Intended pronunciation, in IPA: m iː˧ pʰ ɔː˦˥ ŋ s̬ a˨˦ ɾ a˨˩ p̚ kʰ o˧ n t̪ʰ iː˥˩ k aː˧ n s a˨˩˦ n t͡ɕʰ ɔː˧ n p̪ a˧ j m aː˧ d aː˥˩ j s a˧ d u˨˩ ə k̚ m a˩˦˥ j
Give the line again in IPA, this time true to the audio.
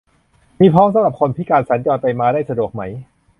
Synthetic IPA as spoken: m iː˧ pʰ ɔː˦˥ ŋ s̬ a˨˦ ɾ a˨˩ p̚ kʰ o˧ n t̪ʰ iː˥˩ k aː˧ n s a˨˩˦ n t͡ɕ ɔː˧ n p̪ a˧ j m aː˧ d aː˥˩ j s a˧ d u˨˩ ə k̚ m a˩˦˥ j